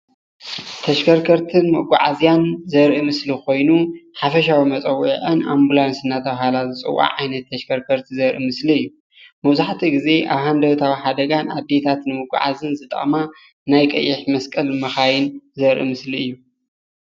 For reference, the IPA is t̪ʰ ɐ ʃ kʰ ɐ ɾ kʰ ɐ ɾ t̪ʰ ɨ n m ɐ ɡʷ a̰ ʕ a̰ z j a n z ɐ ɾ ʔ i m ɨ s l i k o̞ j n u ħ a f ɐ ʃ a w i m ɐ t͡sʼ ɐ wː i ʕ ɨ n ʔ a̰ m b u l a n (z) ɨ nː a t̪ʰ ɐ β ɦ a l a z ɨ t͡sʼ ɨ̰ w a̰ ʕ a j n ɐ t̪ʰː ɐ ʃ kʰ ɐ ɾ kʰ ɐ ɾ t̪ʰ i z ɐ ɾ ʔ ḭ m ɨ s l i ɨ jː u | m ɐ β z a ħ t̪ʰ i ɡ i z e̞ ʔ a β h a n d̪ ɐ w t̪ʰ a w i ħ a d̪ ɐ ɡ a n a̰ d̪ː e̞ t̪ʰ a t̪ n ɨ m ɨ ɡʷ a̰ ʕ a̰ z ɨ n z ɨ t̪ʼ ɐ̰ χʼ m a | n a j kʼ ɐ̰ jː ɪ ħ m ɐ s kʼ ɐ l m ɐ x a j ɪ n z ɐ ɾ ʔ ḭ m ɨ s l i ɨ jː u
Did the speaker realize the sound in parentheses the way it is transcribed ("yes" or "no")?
no